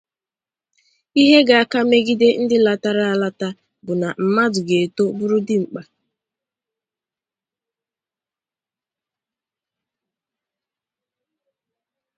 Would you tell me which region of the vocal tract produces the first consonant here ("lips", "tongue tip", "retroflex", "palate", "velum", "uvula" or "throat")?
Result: throat